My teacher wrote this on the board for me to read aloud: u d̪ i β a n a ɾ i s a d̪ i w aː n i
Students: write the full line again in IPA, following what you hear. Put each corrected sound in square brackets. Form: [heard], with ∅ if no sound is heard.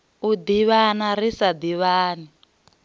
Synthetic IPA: u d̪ i β a n a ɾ i s a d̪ i [β] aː n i